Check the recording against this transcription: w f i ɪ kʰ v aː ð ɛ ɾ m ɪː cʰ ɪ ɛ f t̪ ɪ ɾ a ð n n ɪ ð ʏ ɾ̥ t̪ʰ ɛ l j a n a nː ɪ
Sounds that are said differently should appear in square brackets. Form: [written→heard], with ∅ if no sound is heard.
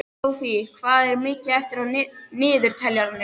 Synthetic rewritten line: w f i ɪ kʰ v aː ð ɛ ɾ m ɪː [cʰ→c] ɪ ɛ f t̪ ɪ ɾ a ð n n [ɪ→ɪː] ð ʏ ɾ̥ t̪ʰ ɛ l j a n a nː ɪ